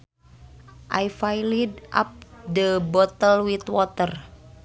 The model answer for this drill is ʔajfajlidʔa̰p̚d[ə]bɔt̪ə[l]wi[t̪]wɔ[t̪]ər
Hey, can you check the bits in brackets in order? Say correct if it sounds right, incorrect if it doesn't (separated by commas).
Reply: correct, correct, correct, correct